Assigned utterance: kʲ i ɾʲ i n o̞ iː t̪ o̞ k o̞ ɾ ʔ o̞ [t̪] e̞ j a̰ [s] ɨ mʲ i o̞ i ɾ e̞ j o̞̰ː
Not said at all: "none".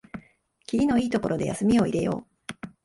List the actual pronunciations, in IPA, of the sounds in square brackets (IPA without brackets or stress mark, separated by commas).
d̪, s